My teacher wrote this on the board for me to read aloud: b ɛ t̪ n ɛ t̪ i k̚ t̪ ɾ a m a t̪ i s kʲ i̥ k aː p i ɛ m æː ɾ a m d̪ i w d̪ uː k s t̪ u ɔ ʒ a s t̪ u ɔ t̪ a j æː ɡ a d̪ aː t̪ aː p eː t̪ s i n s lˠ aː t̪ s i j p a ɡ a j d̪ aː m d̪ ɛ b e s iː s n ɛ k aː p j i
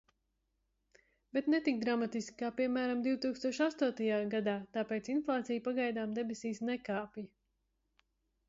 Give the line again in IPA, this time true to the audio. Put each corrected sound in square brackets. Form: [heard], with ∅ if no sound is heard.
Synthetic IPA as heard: b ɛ t̪ n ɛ t̪ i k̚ [d̪] ɾ a m a t̪ i s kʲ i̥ k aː p i ɛ m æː ɾ a m d̪ i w [t̪] uː k s t̪ u ɔ [ʃ] a s t̪ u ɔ t̪ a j [aː] ɡ a d̪ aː t̪ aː p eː t̪ s i n [f] lˠ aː t̪ s i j p a ɡ a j d̪ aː m d̪ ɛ b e s iː s n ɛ k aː p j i